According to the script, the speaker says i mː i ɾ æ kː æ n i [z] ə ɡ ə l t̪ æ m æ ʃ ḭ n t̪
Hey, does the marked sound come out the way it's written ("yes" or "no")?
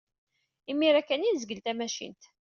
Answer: yes